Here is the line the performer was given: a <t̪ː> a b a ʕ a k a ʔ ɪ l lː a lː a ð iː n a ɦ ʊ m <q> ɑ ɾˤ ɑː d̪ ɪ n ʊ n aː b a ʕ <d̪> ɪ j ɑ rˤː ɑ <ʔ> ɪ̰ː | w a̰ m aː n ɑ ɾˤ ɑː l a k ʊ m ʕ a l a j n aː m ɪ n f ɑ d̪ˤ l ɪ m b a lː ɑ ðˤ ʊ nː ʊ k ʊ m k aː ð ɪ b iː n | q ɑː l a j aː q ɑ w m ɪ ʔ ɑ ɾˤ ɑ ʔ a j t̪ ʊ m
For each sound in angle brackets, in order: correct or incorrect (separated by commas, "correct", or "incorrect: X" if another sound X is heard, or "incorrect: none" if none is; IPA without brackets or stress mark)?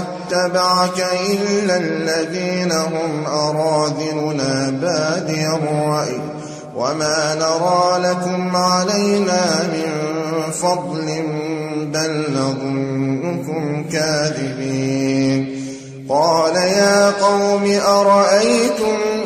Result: correct, incorrect: ʔ, correct, correct